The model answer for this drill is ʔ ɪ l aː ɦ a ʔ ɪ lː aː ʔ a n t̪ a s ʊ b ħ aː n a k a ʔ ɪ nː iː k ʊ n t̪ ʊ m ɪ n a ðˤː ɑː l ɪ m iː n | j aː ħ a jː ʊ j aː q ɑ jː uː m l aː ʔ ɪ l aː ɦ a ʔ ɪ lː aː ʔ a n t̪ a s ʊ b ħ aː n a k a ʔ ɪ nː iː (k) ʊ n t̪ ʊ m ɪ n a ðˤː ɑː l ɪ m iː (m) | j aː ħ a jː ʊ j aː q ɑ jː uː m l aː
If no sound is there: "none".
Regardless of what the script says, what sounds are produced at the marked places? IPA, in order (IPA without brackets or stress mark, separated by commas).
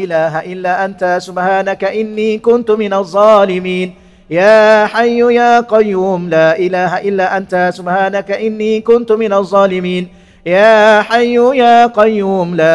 k, n